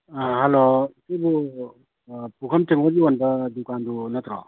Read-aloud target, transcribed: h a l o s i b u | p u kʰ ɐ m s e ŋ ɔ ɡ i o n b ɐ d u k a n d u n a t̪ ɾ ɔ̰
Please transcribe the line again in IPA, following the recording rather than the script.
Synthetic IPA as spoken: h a l o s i b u | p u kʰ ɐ m t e ŋ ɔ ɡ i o n b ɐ d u k a n d u n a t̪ ɾ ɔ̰